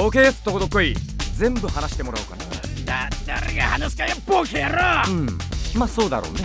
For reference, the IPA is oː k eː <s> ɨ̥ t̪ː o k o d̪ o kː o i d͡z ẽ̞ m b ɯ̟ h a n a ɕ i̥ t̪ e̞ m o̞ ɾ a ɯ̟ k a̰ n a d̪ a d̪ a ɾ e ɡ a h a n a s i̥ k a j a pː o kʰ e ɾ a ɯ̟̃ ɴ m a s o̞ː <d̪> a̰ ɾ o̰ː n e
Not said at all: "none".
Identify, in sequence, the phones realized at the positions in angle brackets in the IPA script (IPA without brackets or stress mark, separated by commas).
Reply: s, d̪